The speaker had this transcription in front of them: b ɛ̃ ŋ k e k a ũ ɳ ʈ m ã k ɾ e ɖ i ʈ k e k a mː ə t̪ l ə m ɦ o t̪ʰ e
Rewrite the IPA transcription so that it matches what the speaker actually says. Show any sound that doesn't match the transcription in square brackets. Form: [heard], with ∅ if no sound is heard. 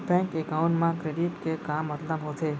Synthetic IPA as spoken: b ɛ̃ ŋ k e k a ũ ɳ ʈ m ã k ɾ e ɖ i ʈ k e k a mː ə t̪ l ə m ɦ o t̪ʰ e